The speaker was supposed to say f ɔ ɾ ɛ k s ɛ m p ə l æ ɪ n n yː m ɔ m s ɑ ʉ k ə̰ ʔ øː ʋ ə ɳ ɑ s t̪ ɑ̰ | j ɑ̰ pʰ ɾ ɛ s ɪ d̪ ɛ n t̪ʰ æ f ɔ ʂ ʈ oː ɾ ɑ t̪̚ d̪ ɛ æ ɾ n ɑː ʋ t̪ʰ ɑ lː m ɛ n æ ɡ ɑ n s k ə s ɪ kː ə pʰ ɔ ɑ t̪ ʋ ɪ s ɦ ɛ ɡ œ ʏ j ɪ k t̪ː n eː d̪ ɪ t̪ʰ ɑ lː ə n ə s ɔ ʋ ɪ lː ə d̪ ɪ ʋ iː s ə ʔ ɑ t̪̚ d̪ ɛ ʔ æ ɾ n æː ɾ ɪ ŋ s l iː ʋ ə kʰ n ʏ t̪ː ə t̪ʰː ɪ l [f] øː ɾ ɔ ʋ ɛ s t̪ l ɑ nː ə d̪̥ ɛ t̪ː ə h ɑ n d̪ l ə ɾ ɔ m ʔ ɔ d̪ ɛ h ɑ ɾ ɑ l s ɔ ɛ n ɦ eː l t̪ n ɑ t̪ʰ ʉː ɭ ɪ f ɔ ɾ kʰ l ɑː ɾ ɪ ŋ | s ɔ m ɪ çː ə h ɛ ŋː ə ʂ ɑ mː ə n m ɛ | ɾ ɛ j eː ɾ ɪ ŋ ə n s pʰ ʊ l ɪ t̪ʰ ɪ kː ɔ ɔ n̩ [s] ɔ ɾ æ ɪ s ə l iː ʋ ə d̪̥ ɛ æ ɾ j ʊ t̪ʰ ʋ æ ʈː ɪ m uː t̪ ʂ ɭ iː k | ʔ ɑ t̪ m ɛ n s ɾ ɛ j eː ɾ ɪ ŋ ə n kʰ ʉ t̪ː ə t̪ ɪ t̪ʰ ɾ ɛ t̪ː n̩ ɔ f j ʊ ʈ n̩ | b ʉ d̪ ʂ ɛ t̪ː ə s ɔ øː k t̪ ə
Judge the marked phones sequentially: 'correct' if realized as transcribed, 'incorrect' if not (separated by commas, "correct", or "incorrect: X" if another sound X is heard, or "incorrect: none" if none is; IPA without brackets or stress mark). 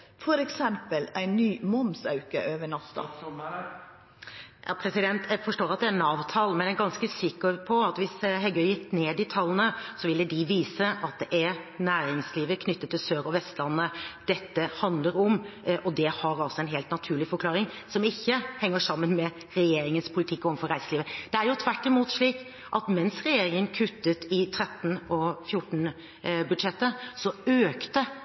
incorrect: s, incorrect: f